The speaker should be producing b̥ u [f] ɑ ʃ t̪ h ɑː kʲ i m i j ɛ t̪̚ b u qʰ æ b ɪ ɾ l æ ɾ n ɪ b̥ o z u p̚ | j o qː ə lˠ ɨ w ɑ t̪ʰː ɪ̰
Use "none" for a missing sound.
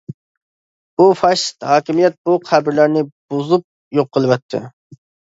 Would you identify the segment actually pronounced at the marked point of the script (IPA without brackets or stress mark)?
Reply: f